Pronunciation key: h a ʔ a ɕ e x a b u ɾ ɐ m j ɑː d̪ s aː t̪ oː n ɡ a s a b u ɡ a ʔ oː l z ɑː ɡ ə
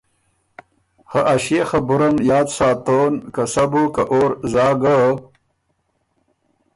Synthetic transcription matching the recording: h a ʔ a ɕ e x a b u ɾ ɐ m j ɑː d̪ s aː t̪ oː n k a s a b u k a ʔ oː ɾ z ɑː ɡ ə